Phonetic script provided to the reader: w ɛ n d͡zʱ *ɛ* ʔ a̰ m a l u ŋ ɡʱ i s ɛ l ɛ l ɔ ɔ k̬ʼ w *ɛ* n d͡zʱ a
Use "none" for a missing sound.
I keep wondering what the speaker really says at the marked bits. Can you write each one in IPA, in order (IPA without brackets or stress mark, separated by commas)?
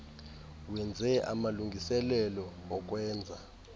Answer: ɛ, ɛː